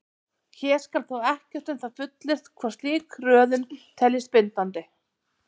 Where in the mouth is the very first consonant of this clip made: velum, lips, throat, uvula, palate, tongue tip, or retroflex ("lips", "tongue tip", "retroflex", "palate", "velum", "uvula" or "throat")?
palate